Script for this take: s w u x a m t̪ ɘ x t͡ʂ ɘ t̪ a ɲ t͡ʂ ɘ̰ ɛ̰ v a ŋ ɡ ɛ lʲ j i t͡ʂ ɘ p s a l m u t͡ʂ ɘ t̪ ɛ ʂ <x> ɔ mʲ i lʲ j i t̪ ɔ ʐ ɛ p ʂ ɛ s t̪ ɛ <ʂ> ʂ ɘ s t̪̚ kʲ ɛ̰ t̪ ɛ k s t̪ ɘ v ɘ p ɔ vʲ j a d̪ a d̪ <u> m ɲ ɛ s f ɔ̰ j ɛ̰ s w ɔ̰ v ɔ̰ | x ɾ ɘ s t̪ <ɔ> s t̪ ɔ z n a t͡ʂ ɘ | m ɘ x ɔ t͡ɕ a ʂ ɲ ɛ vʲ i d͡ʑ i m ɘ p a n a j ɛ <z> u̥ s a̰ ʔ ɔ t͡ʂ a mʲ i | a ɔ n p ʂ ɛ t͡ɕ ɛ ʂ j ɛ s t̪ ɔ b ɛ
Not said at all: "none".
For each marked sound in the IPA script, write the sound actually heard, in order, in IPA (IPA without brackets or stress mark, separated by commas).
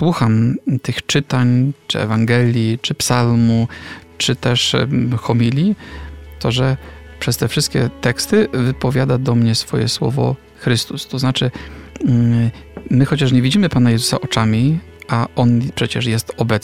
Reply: x, f, ɔ, u, z